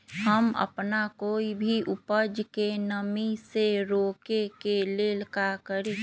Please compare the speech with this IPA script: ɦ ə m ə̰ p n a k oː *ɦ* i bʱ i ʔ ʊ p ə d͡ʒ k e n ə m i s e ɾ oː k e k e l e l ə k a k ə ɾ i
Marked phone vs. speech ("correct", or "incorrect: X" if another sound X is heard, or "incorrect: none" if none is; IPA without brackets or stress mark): incorrect: none